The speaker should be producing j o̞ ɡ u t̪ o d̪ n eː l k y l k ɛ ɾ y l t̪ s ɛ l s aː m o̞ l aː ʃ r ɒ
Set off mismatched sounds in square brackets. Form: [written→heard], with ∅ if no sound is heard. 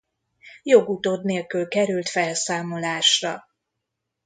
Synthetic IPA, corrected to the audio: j o̞ ɡ u t̪ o d̪ n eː l k y l k ɛ ɾ y l t̪ [s→f] ɛ l s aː m o̞ l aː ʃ r ɒ